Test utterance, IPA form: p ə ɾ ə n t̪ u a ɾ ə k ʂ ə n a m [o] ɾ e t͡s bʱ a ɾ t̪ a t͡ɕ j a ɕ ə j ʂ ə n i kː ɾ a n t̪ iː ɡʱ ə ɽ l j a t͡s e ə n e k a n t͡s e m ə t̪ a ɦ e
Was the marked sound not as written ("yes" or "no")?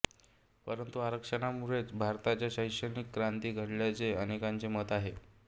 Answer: yes